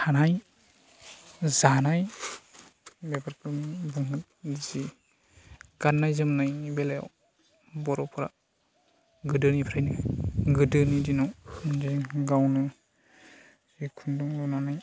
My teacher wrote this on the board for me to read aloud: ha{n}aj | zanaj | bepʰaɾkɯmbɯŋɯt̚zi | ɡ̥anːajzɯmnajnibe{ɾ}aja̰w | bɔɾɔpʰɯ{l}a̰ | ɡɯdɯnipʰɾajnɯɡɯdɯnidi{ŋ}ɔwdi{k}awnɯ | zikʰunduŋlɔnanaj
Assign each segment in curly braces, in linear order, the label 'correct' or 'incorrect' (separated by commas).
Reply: correct, incorrect, incorrect, incorrect, incorrect